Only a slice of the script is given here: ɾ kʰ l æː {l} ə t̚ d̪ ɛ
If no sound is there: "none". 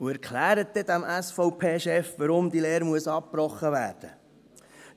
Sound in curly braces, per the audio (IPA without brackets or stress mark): ɾ